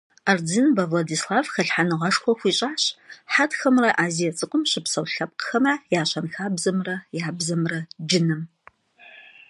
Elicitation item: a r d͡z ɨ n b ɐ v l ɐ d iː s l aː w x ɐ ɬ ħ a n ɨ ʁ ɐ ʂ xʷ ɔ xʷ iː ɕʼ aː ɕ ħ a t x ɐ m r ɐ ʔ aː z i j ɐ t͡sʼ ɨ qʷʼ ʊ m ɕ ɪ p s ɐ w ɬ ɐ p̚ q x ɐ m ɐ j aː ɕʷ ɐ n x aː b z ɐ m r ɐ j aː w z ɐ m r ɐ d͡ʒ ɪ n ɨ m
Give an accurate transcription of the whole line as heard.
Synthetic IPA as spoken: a r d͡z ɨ n b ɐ v l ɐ d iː s l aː v x ɐ ɬ ħ a n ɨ ʁ ɐ ʂ xʷ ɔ xʷ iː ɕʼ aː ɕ ħ a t x ɐ m r ɐ ʔ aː z i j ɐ t͡sʼ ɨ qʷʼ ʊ m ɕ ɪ p s ɐ w ɬ ɐ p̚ q x ɐ m ɐ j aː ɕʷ ɐ n x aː b z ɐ m r ɐ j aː b z ɐ m r ɐ d͡ʒ ɪ n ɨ m